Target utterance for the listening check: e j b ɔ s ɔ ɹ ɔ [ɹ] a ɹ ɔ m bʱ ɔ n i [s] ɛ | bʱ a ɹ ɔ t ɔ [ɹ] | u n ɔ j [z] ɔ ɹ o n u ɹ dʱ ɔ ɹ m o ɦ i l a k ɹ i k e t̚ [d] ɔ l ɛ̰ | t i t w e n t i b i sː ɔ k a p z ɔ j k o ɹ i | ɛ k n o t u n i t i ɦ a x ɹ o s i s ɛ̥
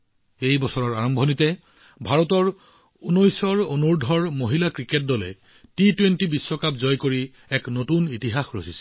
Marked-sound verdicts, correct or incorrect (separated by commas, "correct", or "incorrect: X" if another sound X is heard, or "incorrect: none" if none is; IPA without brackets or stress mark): correct, incorrect: t, correct, incorrect: s, correct